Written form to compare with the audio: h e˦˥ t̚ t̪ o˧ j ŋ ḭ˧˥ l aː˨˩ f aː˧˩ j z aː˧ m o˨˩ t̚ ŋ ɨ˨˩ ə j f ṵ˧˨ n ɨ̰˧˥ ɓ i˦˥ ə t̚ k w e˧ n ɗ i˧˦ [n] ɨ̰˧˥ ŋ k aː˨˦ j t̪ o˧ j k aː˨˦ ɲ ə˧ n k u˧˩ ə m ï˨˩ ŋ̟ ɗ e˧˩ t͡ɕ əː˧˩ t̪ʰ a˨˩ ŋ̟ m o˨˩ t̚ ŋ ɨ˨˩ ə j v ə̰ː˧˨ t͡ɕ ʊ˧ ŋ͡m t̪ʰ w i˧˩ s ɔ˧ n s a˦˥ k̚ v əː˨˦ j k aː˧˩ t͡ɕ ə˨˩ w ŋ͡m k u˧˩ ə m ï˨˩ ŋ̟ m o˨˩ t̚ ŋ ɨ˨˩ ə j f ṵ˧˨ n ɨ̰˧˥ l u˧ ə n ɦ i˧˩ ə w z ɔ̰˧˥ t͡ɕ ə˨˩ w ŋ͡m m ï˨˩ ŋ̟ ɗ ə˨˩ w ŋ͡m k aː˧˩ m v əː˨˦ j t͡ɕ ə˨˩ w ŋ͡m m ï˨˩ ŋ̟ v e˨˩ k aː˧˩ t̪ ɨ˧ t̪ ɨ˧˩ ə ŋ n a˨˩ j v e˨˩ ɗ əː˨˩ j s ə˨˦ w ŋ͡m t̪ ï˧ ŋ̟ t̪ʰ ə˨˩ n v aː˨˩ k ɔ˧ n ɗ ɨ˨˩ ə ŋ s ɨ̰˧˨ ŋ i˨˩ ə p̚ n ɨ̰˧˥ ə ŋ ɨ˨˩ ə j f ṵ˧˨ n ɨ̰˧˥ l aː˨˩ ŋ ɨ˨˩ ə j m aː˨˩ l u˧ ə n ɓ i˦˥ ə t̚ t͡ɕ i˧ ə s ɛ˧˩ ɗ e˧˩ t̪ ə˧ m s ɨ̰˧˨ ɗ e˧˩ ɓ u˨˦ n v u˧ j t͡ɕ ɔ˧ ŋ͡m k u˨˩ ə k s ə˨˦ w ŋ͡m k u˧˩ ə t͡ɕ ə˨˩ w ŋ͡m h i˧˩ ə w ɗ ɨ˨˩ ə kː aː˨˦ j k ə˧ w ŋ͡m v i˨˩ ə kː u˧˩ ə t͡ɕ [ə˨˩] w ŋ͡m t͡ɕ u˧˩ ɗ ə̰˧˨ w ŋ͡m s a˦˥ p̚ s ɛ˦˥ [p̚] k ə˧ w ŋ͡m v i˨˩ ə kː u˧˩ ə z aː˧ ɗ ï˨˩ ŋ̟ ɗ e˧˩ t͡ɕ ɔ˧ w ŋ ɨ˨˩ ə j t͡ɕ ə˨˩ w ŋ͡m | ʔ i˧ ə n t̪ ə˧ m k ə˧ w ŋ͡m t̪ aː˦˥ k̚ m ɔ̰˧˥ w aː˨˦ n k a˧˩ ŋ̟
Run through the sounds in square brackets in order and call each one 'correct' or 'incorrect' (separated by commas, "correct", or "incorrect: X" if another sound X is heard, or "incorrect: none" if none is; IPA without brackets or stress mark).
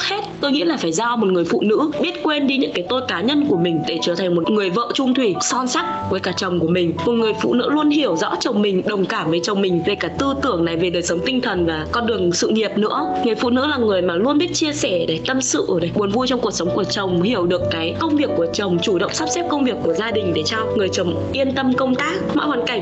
incorrect: ɲ, correct, correct